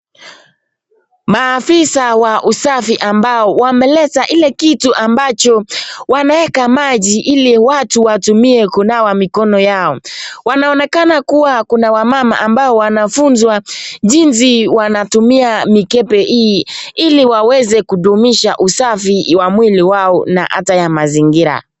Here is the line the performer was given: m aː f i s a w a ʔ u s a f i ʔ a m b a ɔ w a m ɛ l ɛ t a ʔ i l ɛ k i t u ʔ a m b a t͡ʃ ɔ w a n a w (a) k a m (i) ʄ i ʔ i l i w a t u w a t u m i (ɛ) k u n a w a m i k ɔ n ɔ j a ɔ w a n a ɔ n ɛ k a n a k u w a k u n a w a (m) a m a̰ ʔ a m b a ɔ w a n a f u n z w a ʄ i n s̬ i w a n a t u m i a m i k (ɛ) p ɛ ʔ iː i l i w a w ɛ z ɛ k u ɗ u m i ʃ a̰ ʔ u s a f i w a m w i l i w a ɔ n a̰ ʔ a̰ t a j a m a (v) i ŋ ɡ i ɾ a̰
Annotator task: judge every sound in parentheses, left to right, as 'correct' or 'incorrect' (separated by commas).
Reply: incorrect, incorrect, correct, correct, correct, incorrect